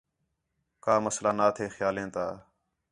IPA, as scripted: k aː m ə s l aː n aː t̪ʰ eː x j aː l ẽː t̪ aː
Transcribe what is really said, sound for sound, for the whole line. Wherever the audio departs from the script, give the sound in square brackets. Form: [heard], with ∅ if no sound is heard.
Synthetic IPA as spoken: k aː m ə s l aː n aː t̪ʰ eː x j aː l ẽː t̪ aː

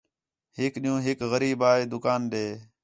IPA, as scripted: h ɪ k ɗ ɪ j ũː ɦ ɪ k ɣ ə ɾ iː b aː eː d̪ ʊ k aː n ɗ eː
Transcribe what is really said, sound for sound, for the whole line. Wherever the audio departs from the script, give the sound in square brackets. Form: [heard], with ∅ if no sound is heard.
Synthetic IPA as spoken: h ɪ k ɗ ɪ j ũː ɦ ɪ k ɣ ə ɾ iː b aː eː d̪ ʊ k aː n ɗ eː

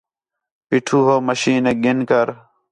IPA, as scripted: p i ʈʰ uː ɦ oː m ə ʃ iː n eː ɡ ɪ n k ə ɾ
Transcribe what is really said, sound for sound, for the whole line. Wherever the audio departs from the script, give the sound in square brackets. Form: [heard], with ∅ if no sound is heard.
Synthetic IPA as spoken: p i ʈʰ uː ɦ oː m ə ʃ iː n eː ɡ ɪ n k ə ɾ

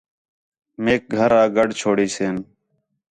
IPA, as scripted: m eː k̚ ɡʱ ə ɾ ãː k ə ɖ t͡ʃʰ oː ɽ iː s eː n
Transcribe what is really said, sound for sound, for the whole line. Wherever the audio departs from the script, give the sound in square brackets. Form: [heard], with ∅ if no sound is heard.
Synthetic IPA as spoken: m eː k̚ ɡʱ ə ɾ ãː [ɡ] ə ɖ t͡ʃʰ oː ɽ iː s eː n

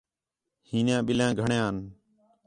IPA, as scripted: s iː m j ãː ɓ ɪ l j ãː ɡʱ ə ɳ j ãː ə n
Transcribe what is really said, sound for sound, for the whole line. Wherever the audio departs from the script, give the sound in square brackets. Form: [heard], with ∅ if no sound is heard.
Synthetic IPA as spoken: [h] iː [n] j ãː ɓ ɪ l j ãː ɡʱ ə ɳ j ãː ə n

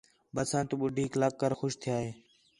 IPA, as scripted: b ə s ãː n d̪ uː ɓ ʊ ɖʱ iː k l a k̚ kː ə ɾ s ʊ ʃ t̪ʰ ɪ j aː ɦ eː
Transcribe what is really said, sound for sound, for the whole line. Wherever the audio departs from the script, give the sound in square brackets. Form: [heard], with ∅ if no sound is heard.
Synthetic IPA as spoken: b ə s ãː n [t̪] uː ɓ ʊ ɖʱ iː k l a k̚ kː ə ɾ [x] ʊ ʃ t̪ʰ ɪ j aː ɦ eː

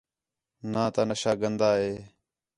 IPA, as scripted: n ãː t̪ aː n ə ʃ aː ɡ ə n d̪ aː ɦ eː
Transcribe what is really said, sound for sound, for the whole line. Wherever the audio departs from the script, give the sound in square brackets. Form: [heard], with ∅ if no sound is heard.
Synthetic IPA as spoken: n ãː t̪ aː n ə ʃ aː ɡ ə n d̪ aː ɦ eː

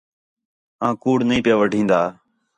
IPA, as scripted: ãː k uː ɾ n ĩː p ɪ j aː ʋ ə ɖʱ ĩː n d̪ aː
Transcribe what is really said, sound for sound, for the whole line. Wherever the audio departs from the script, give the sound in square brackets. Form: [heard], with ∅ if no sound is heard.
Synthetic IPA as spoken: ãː k uː [ɽ] n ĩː p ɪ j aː ʋ ə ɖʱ ĩː n d̪ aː

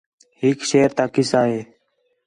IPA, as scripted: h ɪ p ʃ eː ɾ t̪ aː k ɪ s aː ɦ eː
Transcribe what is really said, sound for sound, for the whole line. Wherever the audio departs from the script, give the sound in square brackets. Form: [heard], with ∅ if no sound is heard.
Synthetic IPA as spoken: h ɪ [k] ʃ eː ɾ t̪ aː k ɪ s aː ɦ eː

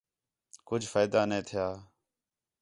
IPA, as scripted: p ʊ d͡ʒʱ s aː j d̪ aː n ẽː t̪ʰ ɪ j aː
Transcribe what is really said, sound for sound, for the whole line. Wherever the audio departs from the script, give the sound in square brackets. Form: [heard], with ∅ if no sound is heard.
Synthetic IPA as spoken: [k] ʊ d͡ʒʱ [f] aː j d̪ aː n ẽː t̪ʰ ɪ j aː

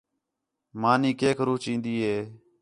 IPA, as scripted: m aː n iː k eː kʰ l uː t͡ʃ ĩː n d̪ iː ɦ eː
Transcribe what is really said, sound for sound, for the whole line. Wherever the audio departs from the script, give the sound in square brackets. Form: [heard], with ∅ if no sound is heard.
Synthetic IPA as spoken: m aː n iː k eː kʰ [ɾ] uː t͡ʃ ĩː n d̪ iː ɦ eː

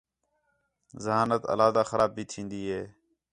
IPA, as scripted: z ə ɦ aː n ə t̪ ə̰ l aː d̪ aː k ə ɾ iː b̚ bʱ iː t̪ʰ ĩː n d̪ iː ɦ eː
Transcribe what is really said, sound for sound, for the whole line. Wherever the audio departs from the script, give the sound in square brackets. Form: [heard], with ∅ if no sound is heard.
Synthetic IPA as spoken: z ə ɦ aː n ə t̪ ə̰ l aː d̪ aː [x] ə ɾ [aː] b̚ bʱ iː t̪ʰ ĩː n d̪ iː ɦ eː

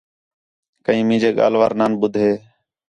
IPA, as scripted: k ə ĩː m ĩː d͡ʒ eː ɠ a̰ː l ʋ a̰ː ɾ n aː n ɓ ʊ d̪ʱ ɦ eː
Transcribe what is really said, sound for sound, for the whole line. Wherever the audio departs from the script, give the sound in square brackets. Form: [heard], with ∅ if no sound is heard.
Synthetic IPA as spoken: k ə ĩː m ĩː d͡ʒ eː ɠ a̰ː l ʋ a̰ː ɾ n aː n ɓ ʊ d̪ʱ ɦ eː

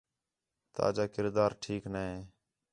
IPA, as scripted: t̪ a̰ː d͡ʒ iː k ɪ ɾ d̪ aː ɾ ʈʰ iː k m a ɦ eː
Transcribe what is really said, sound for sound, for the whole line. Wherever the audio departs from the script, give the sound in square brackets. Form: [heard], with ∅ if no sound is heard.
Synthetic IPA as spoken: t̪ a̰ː d͡ʒ [aː] k ɪ ɾ d̪ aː ɾ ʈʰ iː k [n] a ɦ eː

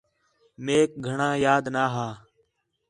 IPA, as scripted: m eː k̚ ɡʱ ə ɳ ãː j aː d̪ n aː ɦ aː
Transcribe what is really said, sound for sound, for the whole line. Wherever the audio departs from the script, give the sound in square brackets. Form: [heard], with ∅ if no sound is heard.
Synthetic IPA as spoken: m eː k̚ ɡʱ ə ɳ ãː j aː d̪ n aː ɦ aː

